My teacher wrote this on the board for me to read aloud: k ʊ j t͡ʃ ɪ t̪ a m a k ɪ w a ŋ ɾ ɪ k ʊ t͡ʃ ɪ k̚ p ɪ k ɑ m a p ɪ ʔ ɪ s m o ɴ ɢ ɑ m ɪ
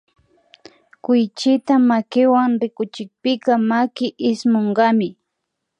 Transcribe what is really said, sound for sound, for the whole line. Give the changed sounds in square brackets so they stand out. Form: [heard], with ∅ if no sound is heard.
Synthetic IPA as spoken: k ʊ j t͡ʃ ɪ t̪ a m a k ɪ w a ŋ ɾ ɪ k ʊ t͡ʃ ɪ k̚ p ɪ k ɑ m a [k] ɪ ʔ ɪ s m o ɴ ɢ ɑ m ɪ